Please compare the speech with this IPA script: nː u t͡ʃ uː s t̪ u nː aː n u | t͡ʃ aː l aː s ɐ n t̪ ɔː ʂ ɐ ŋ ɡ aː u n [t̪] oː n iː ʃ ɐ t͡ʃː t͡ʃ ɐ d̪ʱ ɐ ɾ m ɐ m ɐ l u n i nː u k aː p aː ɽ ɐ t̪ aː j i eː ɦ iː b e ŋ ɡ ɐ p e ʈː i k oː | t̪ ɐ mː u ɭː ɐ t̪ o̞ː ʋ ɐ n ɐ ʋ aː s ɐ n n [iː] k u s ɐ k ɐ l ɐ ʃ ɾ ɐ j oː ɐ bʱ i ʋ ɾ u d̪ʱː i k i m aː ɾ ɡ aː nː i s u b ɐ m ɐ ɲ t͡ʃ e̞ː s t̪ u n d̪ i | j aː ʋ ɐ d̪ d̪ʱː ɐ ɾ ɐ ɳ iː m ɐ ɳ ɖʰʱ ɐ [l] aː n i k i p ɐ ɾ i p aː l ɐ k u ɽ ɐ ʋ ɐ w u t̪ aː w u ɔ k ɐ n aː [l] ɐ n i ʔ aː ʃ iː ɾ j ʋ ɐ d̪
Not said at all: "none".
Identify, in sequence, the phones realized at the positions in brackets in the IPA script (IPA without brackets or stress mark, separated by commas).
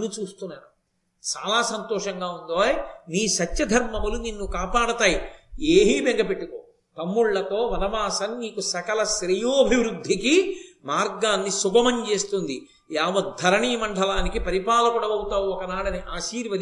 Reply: d̪, iː, l, ɽ